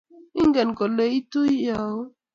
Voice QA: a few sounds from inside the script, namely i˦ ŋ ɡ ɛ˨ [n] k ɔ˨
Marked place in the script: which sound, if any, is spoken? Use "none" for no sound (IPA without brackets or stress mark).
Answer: n